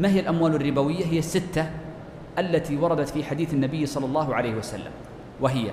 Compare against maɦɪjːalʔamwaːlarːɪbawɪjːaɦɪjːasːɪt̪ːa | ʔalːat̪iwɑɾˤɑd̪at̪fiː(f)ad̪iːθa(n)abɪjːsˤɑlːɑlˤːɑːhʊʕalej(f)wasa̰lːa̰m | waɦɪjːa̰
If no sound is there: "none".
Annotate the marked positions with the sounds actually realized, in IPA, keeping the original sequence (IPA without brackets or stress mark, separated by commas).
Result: ħ, nː, h